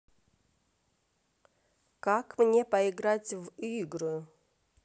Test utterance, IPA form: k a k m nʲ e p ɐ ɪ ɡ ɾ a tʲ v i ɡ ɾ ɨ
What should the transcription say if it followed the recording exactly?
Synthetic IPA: k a k m nʲ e p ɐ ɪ ɡ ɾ a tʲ v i ɡ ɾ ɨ